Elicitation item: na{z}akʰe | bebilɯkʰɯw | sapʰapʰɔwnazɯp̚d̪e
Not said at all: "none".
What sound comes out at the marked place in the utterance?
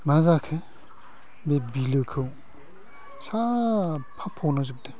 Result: z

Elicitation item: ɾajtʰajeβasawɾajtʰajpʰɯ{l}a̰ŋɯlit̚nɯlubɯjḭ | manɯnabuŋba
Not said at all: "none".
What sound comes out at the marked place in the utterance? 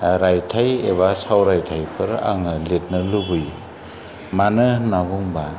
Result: ɾ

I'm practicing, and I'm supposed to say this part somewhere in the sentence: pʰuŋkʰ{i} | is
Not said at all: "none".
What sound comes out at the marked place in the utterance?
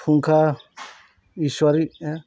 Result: a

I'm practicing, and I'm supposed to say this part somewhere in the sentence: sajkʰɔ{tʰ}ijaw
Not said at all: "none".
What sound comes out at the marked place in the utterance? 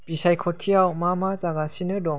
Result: tʰ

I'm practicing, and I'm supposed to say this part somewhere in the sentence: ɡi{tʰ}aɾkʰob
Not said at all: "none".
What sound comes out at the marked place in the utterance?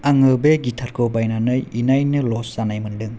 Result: tʰ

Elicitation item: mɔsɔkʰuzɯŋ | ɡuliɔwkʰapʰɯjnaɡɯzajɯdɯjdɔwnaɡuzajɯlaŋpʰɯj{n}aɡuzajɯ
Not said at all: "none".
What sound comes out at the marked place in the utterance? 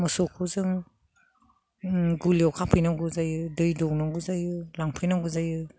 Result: n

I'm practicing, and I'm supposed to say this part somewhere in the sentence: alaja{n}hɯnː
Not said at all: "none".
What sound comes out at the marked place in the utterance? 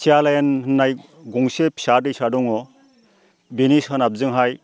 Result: n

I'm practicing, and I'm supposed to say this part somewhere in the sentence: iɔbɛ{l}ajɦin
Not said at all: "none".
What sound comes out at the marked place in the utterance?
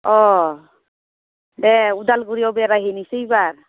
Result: ɾ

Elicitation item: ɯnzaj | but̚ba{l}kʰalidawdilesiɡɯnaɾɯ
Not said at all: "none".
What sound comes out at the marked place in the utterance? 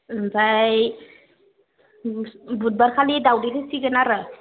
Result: ɾ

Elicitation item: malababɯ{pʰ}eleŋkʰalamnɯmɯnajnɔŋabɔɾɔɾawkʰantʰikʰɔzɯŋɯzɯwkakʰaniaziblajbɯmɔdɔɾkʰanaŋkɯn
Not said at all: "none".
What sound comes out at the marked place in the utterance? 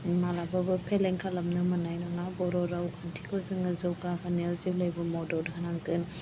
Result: pʰ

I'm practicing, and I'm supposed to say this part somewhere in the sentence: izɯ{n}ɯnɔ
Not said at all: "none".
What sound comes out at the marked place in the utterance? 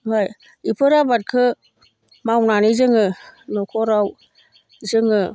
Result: ŋ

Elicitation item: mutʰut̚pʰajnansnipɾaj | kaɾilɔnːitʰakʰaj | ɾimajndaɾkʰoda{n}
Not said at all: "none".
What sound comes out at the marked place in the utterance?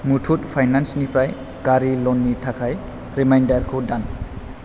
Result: n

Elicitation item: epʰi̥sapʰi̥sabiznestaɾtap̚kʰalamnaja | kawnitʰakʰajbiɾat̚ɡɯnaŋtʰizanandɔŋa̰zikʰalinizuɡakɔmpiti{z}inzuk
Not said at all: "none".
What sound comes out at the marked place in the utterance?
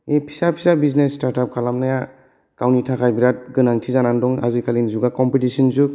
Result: s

